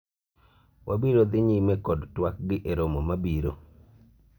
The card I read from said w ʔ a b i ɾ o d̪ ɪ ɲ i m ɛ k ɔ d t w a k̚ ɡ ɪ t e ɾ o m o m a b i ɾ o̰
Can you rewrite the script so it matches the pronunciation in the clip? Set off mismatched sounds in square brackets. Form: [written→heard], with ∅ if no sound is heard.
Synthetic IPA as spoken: w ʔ a b i ɾ o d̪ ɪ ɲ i m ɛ k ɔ d t w a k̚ ɡ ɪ [t→ʔ] e ɾ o m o m a b i ɾ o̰